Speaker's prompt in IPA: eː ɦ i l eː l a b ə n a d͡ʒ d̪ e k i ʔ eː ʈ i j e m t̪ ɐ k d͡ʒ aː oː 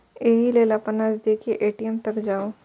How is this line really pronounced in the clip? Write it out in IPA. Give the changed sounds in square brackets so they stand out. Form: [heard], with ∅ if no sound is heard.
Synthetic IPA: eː ɦ i l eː l a [p] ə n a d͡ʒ d̪ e k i ʔ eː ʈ i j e m t̪ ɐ k d͡ʒ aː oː

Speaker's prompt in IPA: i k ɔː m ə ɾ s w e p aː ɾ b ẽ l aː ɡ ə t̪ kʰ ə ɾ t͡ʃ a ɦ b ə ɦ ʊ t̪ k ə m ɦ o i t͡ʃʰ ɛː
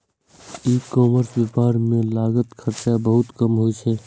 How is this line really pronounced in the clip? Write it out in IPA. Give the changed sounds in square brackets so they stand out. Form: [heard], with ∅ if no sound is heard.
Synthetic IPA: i k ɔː m ə ɾ s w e p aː ɾ [m] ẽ l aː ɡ ə t̪ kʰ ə ɾ t͡ʃ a [∅] b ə ɦ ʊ t̪ k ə m ɦ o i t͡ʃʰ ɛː

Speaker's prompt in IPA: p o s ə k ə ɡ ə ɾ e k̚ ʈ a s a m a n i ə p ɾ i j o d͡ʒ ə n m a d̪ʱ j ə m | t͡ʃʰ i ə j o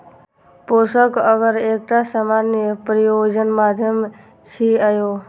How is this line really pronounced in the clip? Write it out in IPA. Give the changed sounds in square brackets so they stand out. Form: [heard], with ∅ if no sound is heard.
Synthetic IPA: p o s ə k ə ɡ ə ɾ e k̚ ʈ a s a m a n [j] ə p ɾ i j o d͡ʒ ə n m a d̪ʱ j ə m | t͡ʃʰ i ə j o

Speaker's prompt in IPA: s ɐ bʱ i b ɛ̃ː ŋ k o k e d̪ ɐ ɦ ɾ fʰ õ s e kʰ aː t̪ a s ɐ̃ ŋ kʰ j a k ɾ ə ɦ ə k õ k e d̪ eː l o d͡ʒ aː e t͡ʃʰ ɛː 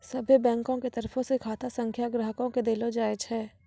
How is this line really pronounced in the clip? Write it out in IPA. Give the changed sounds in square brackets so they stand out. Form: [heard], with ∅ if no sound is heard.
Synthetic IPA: s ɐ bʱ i b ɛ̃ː ŋ k [õ] k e [t̪] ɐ [∅] ɾ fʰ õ s e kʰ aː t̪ a s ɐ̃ ŋ kʰ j a [ɡ] ɾ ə ɦ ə k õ k e d̪ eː l o d͡ʒ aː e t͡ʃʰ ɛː

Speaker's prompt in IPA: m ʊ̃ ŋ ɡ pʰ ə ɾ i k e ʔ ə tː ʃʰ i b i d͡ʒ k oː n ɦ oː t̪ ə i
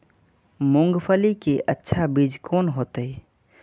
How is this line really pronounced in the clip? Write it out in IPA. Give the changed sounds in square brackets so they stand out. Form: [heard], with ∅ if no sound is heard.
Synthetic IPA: m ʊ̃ ŋ ɡ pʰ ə [l] i k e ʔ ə tː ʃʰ [a] b i d͡ʒ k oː n ɦ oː t̪ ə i

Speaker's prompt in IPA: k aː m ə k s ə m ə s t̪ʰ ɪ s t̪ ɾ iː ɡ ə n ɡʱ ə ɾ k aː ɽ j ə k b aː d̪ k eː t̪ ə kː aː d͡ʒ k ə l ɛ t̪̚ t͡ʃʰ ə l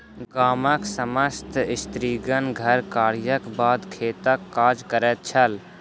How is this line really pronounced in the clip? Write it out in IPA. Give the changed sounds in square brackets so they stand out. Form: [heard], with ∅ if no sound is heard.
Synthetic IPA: [ɡ] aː m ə k s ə m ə s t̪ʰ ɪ s t̪ ɾ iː ɡ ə n ɡʱ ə ɾ k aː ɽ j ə k b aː d̪ [kʰ] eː t̪ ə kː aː d͡ʒ k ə [ɾ] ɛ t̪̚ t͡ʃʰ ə l

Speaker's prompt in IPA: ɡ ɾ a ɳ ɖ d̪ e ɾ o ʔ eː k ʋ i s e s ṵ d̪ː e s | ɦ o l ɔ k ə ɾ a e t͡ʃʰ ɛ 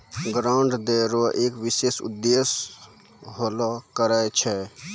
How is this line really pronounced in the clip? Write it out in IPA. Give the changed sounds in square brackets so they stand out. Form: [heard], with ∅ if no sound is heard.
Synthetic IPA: ɡ ɾ a ɳ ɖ d̪ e ɾ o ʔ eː k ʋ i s e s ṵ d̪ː e s | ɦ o l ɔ k ə ɾ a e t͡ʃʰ ɛ

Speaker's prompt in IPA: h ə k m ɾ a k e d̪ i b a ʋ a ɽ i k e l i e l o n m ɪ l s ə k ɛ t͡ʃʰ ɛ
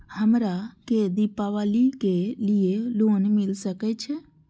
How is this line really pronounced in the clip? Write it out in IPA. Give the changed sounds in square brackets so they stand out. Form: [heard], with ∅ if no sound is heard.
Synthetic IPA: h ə [∅] m ɾ a k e d̪ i [p] a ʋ a [l] i k e l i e l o n m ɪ l s ə k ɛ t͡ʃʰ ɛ

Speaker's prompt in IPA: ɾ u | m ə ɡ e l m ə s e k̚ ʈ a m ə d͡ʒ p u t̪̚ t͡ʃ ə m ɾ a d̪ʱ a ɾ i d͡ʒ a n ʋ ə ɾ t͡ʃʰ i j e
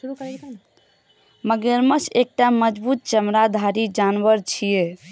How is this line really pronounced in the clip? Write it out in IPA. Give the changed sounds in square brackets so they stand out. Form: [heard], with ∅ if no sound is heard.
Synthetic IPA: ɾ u | m ə ɡ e [ɾ] m ə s e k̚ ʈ a m ə d͡ʒ [b] u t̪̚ t͡ʃ ə m ɾ a d̪ʱ a ɾ i d͡ʒ a n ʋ ə ɾ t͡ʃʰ i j e

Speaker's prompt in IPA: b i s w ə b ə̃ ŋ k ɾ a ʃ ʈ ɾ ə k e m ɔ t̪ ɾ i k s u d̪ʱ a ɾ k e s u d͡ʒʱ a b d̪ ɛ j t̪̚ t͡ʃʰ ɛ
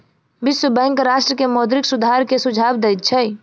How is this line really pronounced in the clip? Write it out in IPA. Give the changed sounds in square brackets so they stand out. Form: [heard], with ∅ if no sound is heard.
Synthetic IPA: b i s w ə b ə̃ ŋ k ɾ a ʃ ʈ ɾ ə k e m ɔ [d̪] ɾ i k s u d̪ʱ a ɾ k e s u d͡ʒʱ a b d̪ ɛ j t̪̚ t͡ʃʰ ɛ

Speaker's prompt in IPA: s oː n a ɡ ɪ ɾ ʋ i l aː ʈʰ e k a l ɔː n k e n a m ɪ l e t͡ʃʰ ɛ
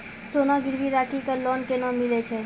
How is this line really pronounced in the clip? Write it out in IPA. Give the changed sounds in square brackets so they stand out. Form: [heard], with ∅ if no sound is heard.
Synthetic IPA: s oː n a ɡ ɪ ɾ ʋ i [ɾ] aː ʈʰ [i] k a l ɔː n k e n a m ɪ l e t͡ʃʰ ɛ

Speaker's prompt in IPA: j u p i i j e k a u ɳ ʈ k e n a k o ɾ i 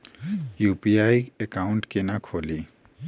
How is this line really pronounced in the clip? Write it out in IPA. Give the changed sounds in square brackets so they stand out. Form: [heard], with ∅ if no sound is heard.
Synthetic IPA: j u p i [a] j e k a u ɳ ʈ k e n a [kʰ] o [l] i

